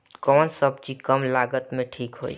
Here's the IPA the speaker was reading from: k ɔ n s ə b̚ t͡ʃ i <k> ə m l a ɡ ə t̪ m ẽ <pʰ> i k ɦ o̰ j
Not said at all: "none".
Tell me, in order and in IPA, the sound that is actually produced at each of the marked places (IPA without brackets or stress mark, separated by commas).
k, ʈʰ